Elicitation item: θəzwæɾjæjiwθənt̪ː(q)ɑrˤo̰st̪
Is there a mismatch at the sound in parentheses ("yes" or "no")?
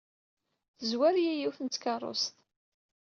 yes